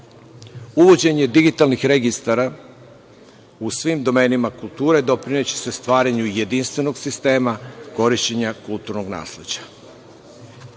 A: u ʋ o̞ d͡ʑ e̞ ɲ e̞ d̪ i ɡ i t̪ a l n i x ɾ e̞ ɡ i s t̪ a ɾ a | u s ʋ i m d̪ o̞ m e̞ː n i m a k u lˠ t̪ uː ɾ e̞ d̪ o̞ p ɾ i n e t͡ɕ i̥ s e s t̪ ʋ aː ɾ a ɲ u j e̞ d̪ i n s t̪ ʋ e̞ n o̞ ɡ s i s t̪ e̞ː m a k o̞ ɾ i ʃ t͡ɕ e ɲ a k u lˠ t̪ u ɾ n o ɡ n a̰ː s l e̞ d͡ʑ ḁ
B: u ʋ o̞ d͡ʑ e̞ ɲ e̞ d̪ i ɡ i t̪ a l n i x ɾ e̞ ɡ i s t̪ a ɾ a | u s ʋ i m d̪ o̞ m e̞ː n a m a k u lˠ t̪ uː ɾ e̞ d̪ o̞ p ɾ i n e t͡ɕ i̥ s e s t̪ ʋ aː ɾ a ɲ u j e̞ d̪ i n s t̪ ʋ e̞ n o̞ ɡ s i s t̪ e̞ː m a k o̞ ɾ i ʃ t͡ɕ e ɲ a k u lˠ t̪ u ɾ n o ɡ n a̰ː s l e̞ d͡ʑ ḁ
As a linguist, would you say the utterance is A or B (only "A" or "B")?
A